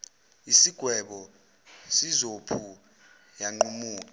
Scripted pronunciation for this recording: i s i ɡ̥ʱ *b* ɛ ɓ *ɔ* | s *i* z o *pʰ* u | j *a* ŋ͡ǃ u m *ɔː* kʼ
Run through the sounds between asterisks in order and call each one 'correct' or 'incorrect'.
incorrect: w, correct, correct, correct, correct, incorrect: uː

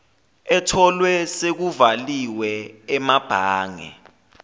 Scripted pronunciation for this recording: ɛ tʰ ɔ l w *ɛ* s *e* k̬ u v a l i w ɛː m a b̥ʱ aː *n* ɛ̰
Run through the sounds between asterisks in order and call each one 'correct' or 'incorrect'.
correct, correct, incorrect: ŋ

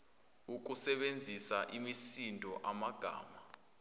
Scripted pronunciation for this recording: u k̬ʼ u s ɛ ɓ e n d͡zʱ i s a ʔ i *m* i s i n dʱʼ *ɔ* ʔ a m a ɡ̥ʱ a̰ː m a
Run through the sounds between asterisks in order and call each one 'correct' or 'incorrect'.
correct, correct

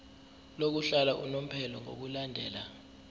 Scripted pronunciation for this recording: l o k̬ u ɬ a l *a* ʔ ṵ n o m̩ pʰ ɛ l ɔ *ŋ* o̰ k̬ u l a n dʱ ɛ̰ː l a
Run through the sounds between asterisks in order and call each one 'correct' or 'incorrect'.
correct, correct

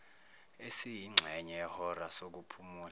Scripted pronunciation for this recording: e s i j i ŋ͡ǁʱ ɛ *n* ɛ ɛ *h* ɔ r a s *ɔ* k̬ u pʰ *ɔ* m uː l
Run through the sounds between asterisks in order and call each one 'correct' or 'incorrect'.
incorrect: ɲ, correct, incorrect: o, incorrect: u

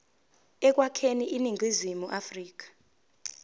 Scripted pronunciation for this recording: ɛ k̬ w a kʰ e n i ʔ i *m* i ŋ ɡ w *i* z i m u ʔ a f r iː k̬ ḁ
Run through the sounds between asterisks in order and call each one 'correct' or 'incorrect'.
incorrect: n, correct

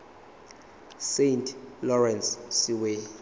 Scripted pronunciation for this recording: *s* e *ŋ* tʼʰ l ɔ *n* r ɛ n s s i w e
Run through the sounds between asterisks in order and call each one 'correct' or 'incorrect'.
correct, incorrect: n, incorrect: none

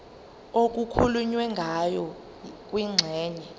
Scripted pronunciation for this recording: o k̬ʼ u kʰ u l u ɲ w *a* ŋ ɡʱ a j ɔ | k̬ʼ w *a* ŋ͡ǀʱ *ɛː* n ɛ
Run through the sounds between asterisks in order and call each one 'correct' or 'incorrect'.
incorrect: ɛ, incorrect: i, correct

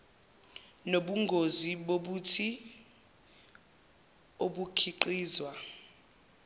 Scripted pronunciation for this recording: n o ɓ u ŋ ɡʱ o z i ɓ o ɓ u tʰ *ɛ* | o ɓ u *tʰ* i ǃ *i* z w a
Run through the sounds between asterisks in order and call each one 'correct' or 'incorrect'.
incorrect: i, incorrect: kʰ, incorrect: iː

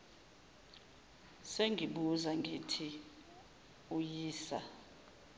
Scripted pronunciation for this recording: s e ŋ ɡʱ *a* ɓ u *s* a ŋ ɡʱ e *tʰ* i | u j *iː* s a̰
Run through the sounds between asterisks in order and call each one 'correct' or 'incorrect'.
incorrect: i, incorrect: z, correct, correct

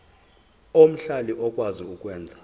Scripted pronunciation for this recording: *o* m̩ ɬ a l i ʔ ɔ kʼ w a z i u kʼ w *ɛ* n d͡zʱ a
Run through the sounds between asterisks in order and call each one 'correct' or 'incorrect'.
correct, incorrect: ɛː

